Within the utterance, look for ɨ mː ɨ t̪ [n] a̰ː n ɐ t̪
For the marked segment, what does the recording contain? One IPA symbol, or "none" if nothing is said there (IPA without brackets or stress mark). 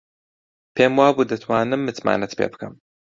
m